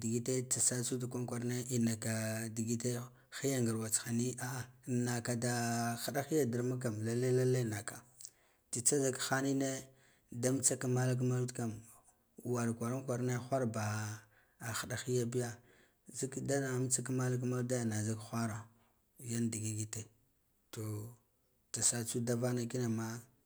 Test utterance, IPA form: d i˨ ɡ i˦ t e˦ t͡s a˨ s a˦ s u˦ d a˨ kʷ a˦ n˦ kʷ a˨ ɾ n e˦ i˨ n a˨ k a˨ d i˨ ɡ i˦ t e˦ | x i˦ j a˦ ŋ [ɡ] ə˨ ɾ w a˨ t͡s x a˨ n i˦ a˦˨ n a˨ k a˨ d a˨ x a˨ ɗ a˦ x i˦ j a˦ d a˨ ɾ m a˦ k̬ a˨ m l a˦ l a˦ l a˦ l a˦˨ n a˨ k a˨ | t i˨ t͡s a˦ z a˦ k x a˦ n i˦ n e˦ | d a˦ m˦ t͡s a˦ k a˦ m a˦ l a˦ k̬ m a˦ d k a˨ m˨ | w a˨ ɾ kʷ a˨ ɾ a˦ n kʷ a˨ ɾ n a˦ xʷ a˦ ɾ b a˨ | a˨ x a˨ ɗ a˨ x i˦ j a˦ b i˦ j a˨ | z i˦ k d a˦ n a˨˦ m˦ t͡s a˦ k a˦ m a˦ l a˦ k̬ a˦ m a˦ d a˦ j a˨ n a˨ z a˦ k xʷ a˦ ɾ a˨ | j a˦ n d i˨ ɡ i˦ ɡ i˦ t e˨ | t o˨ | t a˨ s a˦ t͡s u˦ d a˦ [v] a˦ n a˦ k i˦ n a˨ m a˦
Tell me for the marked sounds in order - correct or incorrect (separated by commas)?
correct, correct